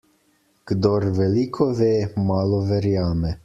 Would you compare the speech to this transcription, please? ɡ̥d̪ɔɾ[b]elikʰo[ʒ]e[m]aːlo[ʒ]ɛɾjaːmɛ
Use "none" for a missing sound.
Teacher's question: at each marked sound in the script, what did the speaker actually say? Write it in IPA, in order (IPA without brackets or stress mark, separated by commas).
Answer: v, v, m, v